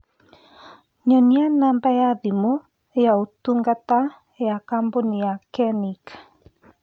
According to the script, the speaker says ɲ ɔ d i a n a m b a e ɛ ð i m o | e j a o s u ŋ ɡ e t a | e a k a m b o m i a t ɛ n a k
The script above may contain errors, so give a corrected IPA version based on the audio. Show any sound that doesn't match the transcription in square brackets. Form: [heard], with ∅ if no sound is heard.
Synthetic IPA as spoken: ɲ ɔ [n] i a n a m b a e [a] ð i m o | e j a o [t] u ŋ ɡ [a] t a | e a k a m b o [n] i a [k] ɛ n [i] k